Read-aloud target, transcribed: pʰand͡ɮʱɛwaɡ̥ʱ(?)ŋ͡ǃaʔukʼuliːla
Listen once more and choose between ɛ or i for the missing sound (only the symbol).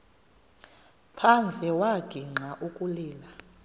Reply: i